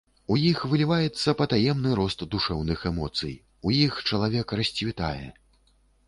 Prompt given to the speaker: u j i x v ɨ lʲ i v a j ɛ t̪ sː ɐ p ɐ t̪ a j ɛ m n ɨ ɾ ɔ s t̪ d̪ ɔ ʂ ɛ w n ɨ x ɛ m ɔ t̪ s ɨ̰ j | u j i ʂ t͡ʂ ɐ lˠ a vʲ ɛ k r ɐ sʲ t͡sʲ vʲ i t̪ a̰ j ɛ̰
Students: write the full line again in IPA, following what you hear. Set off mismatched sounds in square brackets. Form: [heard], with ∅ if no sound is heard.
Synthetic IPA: u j i x v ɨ lʲ i v a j ɛ t̪ sː ɐ p ɐ t̪ a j ɛ m n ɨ ɾ ɔ s t̪ d̪ [u] ʂ ɛ w n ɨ x ɛ m ɔ t̪ s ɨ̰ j | u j i [x] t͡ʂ ɐ lˠ a vʲ ɛ k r ɐ sʲ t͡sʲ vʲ i t̪ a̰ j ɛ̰